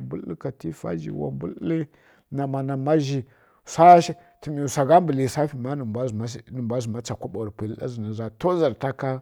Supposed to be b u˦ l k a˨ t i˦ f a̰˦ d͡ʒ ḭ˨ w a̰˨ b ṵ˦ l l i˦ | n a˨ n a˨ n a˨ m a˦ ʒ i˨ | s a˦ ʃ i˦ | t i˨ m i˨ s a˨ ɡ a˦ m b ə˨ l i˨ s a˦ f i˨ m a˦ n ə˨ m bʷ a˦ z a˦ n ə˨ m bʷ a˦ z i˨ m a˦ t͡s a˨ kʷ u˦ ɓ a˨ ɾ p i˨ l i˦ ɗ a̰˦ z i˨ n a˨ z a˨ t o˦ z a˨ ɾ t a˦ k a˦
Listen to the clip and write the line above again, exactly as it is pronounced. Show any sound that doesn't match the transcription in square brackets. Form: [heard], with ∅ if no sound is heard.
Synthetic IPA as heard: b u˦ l k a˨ t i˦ f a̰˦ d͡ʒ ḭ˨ w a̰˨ b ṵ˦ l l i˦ | n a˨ [m] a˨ n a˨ m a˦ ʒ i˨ | s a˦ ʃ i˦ | t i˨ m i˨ s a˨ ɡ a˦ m b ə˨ l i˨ s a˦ f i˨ m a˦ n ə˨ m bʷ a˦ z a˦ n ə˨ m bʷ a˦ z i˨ m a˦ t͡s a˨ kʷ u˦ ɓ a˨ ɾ p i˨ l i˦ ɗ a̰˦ z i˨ n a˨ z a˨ t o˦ z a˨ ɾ t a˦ k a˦